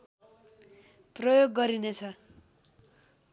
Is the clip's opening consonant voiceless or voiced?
voiceless